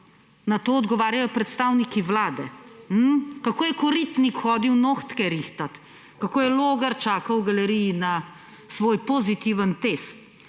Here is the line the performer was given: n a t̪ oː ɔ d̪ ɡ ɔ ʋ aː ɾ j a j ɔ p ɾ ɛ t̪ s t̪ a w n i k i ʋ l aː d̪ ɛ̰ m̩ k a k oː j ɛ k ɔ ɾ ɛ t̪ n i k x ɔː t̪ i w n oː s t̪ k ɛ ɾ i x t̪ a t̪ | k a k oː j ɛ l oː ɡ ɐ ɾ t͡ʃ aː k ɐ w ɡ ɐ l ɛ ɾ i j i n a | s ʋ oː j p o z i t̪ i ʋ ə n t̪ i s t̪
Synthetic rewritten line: n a t̪ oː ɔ d̪ ɡ ɔ ʋ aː ɾ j a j ɔ p ɾ ɛ t̪ s t̪ a w n i k i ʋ l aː d̪ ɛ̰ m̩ k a k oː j ɛ k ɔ ɾ i t̪ n i k x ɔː d̪ i w n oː x t̪ k ɛ ɾ i x t̪ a t̪ | k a k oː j ɛ l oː ɡ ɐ ɾ t͡ʃ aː k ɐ w ɡ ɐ l ɛ ɾ i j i n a | s ʋ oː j p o z i t̪ i ʋ ə n t̪ e s t̪